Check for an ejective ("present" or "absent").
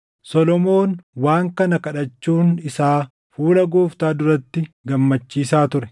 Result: absent